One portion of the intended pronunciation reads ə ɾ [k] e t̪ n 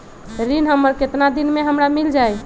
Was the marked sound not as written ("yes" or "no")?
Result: no